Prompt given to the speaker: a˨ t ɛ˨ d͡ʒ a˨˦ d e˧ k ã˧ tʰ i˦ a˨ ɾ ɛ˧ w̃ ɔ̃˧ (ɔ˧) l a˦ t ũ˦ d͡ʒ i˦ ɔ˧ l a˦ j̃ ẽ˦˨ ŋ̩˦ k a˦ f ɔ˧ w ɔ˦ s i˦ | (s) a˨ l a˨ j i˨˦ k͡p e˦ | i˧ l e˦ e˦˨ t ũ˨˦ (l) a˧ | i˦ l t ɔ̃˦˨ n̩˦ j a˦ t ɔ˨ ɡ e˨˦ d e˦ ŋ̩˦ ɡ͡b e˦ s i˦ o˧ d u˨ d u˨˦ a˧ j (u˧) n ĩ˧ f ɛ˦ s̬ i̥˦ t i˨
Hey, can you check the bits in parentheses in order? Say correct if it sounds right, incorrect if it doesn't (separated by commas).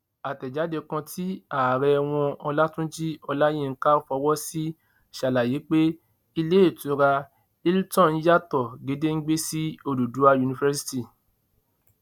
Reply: correct, incorrect, incorrect, correct